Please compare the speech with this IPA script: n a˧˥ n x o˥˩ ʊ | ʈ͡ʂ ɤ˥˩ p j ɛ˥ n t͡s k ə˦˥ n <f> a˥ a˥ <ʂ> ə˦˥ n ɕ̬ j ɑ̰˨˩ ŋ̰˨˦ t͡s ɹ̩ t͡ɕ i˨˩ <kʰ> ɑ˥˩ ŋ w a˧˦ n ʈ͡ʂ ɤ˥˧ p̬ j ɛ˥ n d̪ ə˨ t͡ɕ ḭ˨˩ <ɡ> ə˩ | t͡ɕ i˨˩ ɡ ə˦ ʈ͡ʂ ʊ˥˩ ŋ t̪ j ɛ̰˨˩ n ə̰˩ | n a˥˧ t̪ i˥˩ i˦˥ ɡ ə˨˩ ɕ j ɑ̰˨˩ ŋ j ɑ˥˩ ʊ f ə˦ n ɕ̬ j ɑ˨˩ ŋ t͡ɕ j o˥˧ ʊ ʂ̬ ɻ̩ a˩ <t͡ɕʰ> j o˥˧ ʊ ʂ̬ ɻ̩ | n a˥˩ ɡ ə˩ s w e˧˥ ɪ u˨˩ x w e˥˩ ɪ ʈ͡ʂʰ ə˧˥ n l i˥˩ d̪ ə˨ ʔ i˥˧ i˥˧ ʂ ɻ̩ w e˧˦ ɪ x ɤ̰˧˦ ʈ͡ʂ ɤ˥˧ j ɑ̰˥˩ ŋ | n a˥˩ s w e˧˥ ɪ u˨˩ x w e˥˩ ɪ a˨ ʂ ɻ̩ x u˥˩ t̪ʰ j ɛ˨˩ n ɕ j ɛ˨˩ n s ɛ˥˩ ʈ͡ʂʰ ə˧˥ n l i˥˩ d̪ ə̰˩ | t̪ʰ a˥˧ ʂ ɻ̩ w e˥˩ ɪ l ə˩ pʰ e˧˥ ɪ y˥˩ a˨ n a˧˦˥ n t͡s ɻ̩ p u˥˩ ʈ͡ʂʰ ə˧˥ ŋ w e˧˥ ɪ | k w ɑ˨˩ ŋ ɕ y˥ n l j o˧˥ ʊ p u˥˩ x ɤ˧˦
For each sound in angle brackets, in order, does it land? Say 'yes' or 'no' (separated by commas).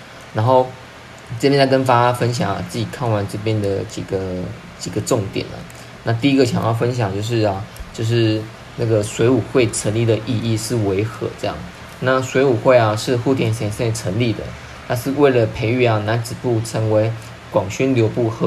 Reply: yes, no, yes, yes, no